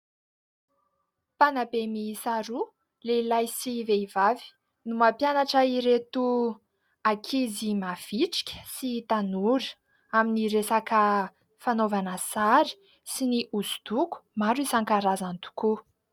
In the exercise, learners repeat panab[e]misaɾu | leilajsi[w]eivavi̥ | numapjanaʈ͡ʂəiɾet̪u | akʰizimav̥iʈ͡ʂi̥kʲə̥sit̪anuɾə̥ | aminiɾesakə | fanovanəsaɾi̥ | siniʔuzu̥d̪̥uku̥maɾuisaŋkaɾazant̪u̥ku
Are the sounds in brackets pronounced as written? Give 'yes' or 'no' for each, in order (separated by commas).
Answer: yes, no